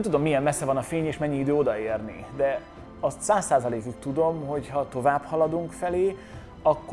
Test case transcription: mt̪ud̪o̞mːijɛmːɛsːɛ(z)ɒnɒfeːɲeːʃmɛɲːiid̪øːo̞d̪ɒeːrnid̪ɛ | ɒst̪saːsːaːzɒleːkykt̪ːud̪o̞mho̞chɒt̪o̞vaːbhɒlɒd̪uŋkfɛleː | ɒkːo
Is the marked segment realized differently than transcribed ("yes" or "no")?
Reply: yes